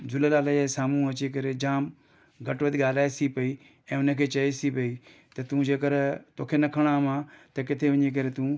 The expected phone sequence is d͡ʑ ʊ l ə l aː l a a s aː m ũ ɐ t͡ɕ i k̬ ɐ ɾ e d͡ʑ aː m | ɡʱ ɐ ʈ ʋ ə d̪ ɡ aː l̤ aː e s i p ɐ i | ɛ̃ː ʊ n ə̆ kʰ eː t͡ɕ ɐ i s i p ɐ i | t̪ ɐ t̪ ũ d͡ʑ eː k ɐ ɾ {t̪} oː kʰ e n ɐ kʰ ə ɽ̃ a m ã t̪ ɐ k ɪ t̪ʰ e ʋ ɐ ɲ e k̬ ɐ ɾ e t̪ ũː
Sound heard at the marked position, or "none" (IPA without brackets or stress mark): t̪